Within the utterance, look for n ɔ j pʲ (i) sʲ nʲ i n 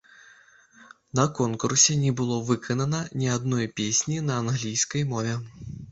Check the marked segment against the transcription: incorrect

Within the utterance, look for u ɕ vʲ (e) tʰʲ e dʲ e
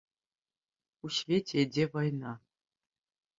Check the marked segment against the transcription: correct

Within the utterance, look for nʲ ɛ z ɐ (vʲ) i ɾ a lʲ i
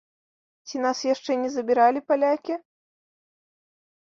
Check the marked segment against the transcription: incorrect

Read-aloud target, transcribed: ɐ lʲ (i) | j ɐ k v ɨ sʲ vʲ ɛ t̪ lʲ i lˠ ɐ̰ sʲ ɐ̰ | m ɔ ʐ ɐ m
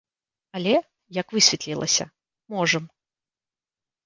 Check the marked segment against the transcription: incorrect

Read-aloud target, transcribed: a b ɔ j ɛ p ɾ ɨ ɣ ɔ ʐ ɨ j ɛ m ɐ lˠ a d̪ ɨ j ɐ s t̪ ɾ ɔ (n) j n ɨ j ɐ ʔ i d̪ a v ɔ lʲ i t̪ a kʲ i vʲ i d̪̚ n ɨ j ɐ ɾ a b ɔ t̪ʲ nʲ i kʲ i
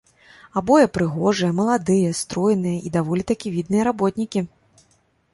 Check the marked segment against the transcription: incorrect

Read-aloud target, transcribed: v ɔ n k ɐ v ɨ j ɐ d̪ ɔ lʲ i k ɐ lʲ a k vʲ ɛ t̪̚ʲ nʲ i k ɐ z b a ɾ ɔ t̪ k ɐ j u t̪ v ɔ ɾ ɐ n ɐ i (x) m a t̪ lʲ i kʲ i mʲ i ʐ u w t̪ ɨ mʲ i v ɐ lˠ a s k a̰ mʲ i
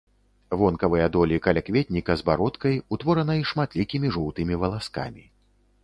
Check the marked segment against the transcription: incorrect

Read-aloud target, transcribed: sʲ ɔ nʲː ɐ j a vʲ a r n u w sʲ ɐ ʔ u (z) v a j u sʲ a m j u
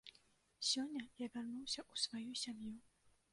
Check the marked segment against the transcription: incorrect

